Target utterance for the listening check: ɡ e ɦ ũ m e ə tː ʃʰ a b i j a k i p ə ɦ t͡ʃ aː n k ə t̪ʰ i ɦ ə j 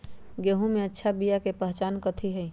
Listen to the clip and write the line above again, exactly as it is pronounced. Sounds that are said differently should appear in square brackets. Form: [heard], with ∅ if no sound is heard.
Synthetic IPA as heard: ɡ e ɦ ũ m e ə tː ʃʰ a b i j a k [e] p ə ɦ t͡ʃ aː n k ə t̪ʰ i ɦ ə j